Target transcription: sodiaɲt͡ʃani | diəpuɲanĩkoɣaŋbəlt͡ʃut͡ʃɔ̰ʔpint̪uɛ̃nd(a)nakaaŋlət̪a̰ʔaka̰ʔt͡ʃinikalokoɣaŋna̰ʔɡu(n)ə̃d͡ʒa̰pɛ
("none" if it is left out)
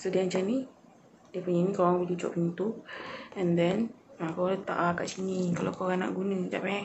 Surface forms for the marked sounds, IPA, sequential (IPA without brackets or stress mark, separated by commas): ɛ, n